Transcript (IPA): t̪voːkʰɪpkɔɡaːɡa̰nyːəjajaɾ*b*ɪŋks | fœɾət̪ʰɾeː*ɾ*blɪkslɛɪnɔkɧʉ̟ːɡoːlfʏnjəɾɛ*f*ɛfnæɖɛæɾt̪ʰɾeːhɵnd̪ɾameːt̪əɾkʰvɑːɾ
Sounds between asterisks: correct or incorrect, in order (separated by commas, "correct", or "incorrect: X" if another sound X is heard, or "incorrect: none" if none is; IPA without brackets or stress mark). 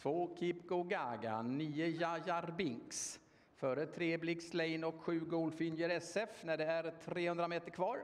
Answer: correct, incorrect: none, incorrect: s